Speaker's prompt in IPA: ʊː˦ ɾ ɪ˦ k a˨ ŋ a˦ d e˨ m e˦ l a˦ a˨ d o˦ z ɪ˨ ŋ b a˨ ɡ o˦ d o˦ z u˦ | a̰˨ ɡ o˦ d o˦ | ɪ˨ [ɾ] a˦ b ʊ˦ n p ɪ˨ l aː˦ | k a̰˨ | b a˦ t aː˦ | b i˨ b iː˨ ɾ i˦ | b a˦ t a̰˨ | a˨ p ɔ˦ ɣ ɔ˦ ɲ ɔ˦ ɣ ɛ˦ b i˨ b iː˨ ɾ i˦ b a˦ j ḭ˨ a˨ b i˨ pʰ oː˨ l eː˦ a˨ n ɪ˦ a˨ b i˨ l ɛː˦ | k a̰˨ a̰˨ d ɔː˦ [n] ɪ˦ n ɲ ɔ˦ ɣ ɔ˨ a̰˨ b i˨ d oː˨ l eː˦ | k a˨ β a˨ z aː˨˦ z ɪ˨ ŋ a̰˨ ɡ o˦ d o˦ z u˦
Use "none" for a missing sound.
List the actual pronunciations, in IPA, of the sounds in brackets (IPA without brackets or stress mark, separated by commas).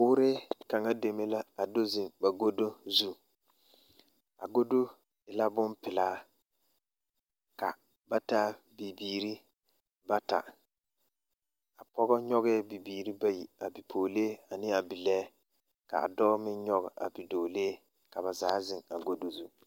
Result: l, m